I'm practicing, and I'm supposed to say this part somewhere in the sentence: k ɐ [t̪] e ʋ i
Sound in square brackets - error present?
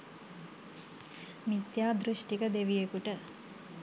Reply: yes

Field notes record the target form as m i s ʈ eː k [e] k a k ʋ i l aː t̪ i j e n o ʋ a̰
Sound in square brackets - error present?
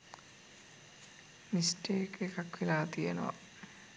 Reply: no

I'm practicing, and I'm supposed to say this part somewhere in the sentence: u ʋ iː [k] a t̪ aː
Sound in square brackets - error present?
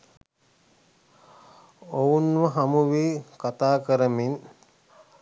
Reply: no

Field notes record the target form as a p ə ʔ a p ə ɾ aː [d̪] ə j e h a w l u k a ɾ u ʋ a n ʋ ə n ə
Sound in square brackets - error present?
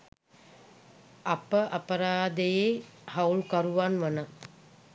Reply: no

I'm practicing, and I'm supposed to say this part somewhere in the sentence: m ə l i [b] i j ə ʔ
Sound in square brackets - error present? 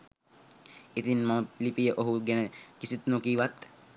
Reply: yes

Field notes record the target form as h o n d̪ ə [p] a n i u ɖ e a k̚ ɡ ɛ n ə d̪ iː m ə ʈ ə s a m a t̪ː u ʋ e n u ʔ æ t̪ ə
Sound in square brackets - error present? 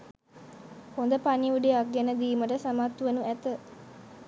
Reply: no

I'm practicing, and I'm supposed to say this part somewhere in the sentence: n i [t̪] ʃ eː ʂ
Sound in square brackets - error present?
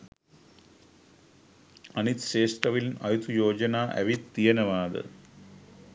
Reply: no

